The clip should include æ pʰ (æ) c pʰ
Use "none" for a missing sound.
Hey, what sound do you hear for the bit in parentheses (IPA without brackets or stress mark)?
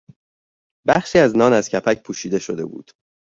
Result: æ